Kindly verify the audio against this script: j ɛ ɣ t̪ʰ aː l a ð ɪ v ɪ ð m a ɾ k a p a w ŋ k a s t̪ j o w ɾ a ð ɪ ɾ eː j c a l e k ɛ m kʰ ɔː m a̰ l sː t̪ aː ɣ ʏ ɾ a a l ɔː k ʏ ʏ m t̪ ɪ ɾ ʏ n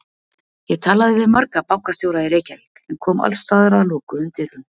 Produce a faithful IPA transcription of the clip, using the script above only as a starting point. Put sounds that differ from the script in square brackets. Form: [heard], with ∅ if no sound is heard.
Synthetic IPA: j ɛ ɣ t̪ʰ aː l a ð ɪ v ɪ ð m a ɾ k a p a w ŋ k a s t̪ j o w ɾ a ð ɪ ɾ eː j c a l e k ɛ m kʰ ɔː m a̰ l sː t̪ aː [ð] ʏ ɾ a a l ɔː k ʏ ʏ m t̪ ɪ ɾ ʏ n